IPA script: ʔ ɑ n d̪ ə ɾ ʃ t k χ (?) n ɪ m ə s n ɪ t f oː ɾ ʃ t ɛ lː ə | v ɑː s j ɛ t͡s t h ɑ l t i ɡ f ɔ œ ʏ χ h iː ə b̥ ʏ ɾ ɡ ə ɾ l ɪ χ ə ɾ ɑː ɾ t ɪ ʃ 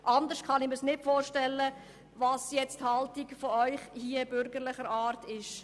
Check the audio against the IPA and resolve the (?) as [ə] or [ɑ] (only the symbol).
ɑ